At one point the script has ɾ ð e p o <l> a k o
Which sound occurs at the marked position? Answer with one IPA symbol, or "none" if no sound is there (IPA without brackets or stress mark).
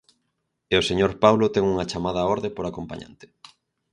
ɾ